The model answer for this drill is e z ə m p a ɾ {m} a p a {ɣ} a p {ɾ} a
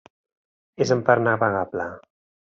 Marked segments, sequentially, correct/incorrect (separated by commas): incorrect, correct, incorrect